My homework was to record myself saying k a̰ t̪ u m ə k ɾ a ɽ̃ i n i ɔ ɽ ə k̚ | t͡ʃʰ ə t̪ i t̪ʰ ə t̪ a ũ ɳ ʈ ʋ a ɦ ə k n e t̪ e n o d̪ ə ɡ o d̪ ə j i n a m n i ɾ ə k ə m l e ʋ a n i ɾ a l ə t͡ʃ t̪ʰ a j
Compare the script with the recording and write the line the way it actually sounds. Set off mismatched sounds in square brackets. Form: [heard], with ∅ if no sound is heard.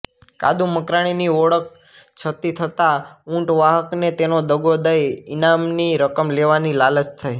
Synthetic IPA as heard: k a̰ [d̪] u m ə k ɾ a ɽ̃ i n i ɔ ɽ ə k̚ | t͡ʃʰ ə t̪ i t̪ʰ ə t̪ a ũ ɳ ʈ ʋ a ɦ ə k n e t̪ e n o d̪ ə ɡ o d̪ ə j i n a m n i ɾ ə k ə m l e ʋ a n i [l] a l ə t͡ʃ t̪ʰ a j